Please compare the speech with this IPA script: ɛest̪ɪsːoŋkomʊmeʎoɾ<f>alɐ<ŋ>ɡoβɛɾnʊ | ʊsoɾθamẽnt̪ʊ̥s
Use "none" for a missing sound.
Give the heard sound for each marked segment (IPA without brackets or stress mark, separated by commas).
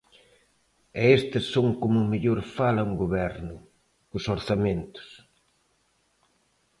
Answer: f, ŋ